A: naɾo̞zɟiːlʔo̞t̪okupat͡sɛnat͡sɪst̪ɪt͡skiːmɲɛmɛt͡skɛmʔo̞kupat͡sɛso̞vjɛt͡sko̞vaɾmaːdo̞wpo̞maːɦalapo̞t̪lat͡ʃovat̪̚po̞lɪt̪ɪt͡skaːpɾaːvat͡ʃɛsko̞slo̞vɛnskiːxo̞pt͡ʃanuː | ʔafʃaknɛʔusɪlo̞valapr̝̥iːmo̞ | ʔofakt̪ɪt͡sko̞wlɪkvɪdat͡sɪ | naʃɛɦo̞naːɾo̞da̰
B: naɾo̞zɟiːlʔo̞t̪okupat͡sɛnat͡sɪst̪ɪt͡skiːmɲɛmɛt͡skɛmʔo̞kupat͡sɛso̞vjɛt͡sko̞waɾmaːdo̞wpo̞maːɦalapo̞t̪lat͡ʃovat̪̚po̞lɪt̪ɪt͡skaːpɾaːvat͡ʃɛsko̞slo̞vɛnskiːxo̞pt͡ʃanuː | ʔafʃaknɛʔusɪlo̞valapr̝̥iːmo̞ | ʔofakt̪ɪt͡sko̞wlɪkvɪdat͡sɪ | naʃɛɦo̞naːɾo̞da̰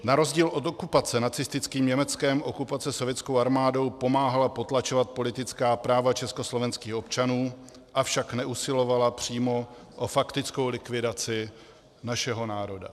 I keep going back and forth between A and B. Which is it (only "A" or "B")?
B